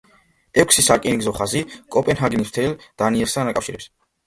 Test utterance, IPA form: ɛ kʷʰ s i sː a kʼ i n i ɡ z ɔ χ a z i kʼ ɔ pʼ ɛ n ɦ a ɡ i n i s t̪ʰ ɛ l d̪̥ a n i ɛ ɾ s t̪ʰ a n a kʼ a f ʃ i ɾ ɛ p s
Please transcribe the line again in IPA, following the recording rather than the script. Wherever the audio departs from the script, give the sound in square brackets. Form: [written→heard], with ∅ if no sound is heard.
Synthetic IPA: ɛ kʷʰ s i [sː→s] a kʼ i n i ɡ z ɔ χ a z i kʼ ɔ pʼ ɛ n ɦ a ɡ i n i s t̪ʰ ɛ l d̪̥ a n i ɛ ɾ s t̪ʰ a n a kʼ a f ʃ i ɾ ɛ p s